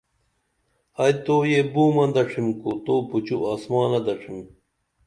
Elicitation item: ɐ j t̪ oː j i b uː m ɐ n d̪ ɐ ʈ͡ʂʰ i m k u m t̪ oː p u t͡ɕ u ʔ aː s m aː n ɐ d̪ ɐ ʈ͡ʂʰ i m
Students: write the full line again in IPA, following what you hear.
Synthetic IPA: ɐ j t̪ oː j e b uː m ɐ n d̪ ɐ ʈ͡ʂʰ i m k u t̪ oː p u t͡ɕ u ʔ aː s m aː n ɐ d̪ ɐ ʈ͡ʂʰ i m